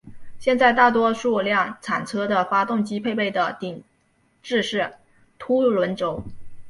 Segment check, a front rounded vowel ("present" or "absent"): absent